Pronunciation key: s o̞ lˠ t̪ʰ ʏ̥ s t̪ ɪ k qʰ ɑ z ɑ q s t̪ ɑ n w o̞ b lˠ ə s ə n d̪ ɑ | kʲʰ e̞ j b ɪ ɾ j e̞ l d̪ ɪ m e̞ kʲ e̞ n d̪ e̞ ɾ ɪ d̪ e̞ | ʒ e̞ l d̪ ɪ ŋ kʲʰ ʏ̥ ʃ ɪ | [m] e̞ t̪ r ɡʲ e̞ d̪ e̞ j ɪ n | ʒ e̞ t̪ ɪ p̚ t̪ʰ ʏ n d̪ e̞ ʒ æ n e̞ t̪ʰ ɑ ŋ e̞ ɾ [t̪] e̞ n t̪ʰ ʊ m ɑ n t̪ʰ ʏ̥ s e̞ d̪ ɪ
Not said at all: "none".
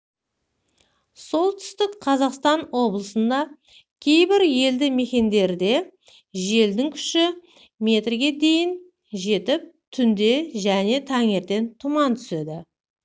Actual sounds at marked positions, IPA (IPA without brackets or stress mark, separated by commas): m, t̪